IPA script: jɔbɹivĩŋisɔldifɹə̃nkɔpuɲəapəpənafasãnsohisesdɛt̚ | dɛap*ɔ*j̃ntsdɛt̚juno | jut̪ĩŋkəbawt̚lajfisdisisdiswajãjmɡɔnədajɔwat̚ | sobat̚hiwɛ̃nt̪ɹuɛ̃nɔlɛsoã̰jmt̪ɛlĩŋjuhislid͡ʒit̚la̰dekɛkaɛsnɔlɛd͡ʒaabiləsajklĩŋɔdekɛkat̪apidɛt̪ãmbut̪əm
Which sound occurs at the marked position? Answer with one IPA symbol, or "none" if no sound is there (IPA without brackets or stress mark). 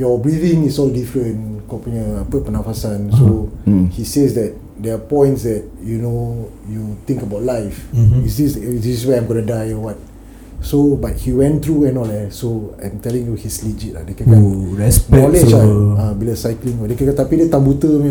ɔ̃